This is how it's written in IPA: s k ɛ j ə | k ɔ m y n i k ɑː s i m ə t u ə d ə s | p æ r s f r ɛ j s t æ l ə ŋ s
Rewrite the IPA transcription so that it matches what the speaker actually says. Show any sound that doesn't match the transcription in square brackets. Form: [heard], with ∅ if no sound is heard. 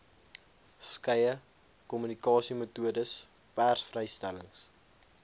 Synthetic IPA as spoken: s k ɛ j ə | k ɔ m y n i k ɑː s i m ə t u ə d ə s | p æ r s f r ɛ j s t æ l ə ŋ s